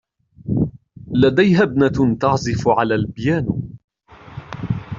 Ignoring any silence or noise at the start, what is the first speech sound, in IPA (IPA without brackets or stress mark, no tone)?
l